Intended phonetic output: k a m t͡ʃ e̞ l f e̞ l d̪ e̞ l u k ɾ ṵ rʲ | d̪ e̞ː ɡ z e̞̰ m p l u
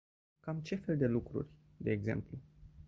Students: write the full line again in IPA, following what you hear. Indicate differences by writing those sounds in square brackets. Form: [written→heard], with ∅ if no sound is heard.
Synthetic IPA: k a m t͡ʃ e̞ [l→∅] f e̞ l d̪ e̞ l u k ɾ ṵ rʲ | d̪ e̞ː ɡ z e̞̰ m p l u